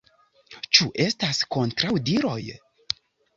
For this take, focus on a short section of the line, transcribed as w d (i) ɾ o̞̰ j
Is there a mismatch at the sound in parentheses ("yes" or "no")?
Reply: no